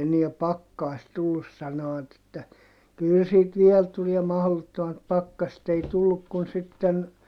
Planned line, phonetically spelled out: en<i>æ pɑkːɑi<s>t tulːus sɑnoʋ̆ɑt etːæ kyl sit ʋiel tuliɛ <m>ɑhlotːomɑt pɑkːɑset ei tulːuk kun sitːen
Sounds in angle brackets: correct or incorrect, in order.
correct, correct, correct

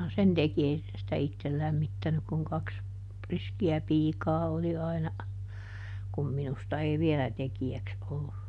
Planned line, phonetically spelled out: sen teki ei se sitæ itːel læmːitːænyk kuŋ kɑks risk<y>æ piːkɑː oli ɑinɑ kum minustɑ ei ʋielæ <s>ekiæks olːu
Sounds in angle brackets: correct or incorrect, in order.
incorrect: i, incorrect: t

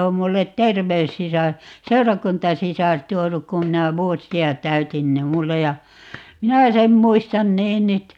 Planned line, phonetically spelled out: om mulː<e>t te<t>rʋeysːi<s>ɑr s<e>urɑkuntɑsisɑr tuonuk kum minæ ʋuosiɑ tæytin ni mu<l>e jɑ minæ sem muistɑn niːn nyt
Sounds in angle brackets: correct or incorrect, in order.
correct, incorrect: none, correct, correct, incorrect: lː

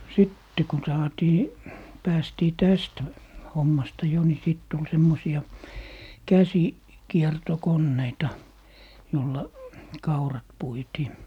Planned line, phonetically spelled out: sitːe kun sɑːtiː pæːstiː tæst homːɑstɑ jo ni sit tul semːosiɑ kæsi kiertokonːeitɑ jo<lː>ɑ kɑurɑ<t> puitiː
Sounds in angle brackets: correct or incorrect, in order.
correct, correct

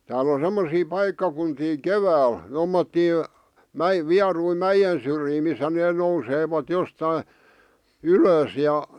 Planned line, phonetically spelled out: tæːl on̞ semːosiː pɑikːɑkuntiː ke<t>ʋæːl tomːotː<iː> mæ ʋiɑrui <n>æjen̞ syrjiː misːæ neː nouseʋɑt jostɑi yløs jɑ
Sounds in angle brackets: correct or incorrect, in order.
incorrect: none, correct, incorrect: m

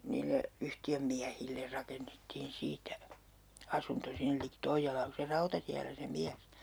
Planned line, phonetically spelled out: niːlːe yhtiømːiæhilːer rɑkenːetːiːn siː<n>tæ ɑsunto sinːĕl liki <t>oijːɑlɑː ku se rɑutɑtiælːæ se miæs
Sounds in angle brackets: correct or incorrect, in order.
incorrect: none, correct

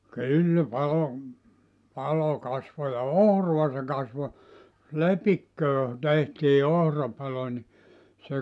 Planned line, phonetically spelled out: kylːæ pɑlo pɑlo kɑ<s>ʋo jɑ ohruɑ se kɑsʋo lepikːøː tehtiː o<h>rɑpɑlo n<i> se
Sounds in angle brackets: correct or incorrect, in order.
correct, correct, correct

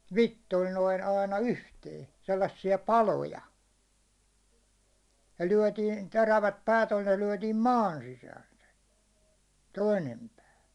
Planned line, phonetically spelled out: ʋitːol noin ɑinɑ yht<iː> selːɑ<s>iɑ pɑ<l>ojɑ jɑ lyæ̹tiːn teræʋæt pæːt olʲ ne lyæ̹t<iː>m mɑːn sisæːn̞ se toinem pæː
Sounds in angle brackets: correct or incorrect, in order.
incorrect: eː, incorrect: sː, correct, correct

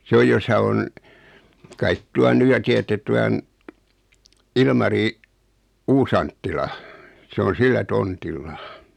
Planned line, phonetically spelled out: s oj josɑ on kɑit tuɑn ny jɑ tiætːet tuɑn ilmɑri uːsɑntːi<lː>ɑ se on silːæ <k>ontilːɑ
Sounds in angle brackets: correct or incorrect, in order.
incorrect: l, incorrect: t

